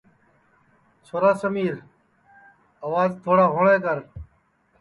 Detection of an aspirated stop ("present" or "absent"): present